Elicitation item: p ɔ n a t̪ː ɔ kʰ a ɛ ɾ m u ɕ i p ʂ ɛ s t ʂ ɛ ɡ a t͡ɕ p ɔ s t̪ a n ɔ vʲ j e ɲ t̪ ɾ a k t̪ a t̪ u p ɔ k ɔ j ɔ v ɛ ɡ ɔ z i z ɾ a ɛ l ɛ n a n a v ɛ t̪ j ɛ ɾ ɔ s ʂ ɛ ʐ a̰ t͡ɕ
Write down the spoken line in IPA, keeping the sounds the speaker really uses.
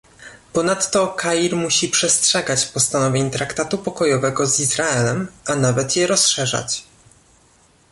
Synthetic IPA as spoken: p ɔ n a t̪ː ɔ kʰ a i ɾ m u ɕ i p ʂ ɛ s t ʂ ɛ ɡ a t͡ɕ p ɔ s t̪ a n ɔ vʲ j e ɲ t̪ ɾ a k t̪ a t̪ u p ɔ k ɔ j ɔ v ɛ ɡ ɔ z i z ɾ a ɛ l ɛ m a n a v ɛ t̪ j ɛ ɾ ɔ s ʂ ɛ ʐ a̰ t͡ɕ